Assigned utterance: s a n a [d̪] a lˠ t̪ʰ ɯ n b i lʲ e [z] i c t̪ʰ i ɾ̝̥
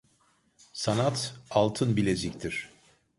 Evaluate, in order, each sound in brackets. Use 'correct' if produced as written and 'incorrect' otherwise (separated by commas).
incorrect, correct